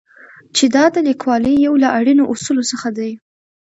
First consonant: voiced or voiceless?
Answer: voiceless